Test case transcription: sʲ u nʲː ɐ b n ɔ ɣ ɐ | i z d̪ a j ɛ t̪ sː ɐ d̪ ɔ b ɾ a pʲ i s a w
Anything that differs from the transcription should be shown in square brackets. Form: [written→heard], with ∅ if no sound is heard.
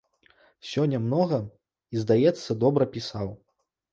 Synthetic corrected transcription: sʲ [u→ɔ] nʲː ɐ [b→m] n ɔ ɣ ɐ | i z d̪ a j ɛ t̪ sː ɐ d̪ ɔ b ɾ [a→ɐ] pʲ i s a w